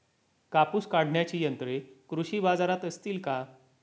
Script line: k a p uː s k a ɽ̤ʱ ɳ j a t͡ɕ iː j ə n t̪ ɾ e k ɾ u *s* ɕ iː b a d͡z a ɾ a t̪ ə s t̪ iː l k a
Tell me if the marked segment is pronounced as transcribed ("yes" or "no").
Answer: no